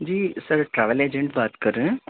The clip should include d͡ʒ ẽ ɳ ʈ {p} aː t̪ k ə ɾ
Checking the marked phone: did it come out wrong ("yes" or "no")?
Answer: yes